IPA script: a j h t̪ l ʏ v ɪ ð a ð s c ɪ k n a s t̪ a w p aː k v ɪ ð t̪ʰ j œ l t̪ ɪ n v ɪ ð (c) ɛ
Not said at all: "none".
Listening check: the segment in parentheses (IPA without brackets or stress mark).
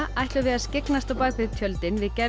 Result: c